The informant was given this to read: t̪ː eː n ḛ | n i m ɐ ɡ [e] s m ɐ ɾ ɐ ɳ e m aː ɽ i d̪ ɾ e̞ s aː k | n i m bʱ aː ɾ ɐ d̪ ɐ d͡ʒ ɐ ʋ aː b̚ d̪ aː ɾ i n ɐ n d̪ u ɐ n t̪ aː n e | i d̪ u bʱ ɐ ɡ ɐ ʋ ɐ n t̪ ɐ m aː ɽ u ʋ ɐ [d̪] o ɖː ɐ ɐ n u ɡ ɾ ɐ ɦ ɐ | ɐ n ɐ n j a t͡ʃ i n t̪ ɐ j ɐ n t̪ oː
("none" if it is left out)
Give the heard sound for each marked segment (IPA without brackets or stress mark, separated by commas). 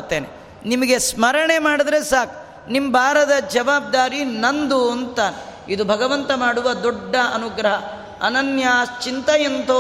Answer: e, d̪